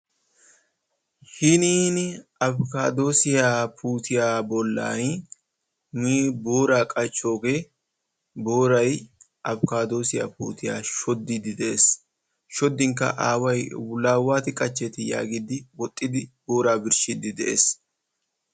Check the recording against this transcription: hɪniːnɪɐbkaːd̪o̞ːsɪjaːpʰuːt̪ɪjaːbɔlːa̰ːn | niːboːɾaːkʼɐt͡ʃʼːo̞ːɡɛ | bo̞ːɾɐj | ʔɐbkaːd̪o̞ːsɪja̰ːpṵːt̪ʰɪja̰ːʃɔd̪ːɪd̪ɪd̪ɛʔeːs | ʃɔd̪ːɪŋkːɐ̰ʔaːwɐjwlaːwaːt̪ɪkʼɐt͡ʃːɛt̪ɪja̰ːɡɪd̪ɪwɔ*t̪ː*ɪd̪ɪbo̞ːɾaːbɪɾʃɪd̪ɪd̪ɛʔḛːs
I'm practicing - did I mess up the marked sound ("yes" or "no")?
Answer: yes